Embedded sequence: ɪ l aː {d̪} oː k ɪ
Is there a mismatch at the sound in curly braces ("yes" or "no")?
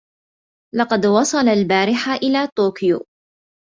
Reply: yes